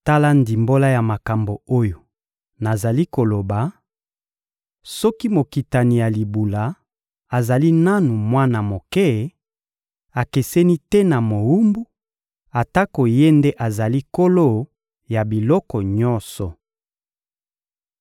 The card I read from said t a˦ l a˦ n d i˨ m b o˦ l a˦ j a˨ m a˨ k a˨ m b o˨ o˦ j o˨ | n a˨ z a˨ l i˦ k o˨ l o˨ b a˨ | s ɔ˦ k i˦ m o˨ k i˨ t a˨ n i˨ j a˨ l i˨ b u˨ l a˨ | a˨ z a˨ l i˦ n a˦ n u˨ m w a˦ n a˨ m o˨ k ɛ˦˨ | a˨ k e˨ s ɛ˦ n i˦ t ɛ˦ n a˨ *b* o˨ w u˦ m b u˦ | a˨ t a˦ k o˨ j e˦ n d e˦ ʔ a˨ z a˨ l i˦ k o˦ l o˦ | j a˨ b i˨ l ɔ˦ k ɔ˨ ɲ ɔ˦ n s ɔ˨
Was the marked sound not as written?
yes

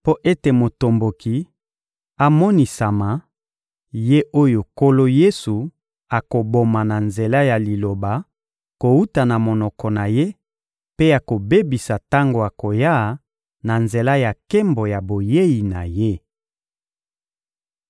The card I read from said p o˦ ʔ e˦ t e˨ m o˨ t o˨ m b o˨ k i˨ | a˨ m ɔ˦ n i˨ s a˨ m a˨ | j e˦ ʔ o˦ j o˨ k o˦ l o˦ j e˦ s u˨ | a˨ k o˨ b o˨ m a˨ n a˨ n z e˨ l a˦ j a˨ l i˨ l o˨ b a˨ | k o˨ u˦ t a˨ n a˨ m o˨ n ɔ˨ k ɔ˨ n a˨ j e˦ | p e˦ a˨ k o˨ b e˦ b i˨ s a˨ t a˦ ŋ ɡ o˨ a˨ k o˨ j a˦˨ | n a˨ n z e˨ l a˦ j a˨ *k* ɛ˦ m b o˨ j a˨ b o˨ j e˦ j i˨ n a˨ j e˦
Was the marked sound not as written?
no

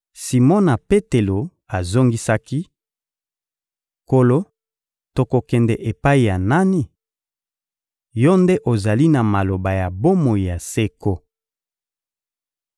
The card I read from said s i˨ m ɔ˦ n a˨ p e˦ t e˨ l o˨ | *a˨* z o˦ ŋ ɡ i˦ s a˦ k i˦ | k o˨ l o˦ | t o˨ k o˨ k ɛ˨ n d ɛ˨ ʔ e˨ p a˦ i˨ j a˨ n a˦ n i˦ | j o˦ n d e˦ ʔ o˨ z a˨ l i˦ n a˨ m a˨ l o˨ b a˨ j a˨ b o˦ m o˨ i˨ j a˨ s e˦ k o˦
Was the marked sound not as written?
no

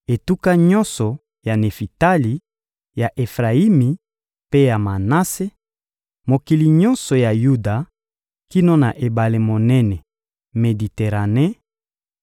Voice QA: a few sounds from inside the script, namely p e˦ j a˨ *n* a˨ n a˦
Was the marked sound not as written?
yes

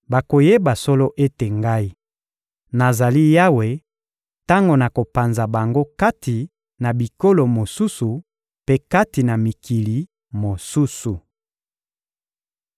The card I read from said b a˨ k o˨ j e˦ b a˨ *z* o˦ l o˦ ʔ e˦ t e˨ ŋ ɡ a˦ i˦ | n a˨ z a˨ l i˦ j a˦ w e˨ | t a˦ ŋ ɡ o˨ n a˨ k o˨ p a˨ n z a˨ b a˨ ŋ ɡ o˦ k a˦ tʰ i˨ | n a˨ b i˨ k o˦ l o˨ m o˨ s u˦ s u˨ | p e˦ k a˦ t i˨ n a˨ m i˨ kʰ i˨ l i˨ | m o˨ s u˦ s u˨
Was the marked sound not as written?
yes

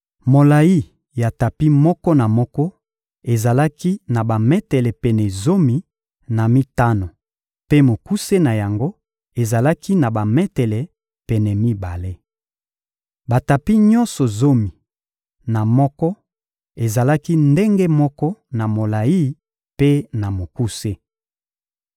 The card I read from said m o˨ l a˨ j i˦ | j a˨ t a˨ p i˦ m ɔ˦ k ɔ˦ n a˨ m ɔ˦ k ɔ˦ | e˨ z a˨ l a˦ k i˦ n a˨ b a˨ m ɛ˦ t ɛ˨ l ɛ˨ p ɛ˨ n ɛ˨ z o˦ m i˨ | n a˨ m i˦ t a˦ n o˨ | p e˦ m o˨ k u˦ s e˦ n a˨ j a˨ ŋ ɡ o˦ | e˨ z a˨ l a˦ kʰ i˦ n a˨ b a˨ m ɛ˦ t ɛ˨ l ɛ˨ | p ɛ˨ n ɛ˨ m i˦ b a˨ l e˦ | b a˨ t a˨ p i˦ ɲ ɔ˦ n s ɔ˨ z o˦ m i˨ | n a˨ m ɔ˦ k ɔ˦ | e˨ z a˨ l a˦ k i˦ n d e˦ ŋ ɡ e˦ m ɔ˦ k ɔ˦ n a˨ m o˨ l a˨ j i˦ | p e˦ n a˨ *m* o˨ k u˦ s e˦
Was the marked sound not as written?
no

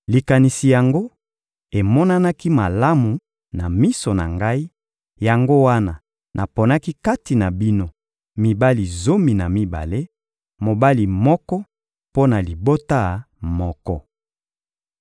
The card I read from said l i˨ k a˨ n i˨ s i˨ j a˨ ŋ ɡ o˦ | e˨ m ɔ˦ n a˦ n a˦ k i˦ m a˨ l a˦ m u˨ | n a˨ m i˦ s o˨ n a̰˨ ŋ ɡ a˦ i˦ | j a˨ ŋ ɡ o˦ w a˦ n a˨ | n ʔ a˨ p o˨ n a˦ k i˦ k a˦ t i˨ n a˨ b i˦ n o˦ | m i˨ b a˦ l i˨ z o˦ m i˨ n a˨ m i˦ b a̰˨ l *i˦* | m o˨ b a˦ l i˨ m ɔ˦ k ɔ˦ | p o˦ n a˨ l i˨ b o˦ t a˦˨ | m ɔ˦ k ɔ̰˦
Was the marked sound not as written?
yes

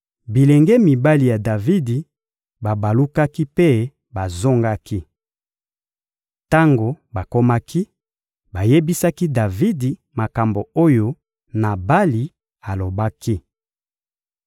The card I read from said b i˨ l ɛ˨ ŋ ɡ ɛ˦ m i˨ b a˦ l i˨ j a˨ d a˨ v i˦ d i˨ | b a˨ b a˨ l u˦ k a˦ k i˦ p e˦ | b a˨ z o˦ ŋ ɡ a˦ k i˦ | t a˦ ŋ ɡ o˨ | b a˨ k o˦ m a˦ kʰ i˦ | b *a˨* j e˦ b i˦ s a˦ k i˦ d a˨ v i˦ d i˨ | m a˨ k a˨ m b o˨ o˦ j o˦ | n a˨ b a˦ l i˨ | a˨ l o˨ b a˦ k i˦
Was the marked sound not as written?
no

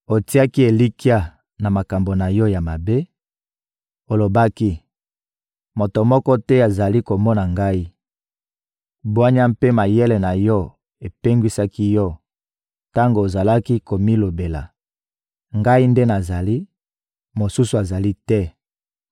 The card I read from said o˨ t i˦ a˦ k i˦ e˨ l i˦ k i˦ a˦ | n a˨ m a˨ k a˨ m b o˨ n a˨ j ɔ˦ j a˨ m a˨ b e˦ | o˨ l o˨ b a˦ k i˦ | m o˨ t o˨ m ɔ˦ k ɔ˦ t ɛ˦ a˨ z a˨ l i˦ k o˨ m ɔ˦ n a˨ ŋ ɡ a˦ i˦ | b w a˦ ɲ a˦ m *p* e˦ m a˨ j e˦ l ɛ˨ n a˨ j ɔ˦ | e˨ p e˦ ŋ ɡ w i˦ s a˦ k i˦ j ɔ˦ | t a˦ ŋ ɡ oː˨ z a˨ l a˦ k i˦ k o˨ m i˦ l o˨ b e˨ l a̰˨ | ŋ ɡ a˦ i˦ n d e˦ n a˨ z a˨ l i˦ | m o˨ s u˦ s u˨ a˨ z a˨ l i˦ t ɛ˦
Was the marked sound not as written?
no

